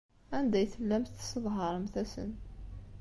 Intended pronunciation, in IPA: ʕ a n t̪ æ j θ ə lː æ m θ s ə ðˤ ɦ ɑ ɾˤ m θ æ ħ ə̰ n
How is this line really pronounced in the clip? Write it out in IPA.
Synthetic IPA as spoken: ʕ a n d̪ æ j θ ə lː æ m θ s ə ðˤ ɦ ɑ ɾˤ m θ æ s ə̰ n